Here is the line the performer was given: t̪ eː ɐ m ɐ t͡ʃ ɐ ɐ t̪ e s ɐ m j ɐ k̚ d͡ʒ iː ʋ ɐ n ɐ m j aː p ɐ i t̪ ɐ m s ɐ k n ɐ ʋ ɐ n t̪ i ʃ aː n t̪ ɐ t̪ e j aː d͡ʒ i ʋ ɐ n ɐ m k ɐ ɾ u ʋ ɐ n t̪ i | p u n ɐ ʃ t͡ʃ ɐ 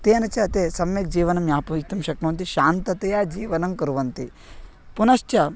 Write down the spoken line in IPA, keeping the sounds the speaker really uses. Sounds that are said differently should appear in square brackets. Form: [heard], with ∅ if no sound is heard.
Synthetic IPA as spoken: t̪ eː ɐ [n] ɐ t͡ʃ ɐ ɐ t̪ e s ɐ m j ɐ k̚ d͡ʒ iː ʋ ɐ n ɐ m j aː p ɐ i t̪ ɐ m [ʃ] ɐ k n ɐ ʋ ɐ n t̪ i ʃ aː n t̪ ɐ t̪ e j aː d͡ʒ [iː] ʋ ɐ n ɐ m k ɐ ɾ u ʋ ɐ n t̪ i | p u n ɐ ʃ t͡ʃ ɐ